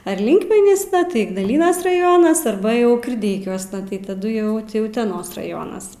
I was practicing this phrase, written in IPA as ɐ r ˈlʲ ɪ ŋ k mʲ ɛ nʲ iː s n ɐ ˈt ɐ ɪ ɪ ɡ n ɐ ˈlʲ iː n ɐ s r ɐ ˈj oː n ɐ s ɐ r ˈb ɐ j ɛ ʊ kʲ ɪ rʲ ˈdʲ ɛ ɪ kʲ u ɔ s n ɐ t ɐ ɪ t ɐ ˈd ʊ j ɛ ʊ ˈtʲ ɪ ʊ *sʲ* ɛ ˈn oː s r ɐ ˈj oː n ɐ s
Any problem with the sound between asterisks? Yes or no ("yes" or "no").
yes